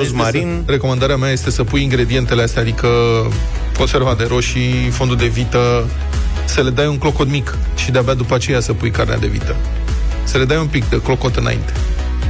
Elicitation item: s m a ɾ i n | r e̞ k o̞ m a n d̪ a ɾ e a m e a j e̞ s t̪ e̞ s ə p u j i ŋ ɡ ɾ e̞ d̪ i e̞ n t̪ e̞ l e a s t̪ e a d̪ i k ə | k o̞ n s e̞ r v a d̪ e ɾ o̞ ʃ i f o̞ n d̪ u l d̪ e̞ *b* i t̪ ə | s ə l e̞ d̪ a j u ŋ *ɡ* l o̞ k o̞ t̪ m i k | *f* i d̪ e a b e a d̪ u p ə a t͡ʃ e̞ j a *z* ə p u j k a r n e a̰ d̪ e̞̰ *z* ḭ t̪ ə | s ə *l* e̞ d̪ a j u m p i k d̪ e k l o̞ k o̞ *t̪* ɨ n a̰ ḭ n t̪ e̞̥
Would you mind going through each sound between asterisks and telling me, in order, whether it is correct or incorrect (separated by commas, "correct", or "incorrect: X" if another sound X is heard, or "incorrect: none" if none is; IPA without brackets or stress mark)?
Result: incorrect: v, incorrect: k, incorrect: ʃ, incorrect: s, incorrect: v, correct, correct